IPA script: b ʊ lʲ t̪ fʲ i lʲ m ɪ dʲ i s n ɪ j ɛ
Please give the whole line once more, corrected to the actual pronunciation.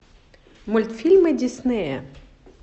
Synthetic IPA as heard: m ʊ lʲ t̪ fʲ i lʲ m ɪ dʲ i s n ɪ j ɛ